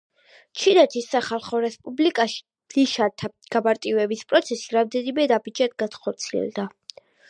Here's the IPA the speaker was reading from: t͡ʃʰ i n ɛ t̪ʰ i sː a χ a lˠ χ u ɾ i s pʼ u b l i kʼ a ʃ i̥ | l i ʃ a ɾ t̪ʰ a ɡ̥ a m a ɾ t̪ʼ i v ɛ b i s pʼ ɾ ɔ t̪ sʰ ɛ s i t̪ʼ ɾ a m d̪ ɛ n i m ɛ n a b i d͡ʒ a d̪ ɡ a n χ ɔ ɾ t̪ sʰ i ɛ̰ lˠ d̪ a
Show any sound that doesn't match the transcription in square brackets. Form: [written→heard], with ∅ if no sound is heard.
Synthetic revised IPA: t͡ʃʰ i n ɛ t̪ʰ i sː a χ a lˠ χ [u→ɔ] ɾ [i→ɛ] s pʼ u b l i kʼ a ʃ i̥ | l i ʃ a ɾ t̪ʰ a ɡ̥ a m a ɾ t̪ʼ i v ɛ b i s pʼ ɾ ɔ t̪ sʰ ɛ s i [t̪ʼ→∅] ɾ a m d̪ ɛ n i m ɛ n a b i d͡ʒ a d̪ ɡ a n χ ɔ ɾ t̪ sʰ i ɛ̰ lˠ d̪ a